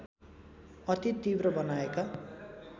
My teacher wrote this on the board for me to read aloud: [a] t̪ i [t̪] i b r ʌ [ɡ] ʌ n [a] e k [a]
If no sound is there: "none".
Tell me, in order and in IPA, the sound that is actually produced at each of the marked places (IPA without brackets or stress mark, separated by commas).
ʌ, t̪, b, a, a